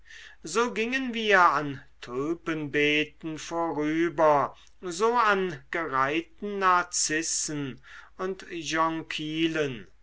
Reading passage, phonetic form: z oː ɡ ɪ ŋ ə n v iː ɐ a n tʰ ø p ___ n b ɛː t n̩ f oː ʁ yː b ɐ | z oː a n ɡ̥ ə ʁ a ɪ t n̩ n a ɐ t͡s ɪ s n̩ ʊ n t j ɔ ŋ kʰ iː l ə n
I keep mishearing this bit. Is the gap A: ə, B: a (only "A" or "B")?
A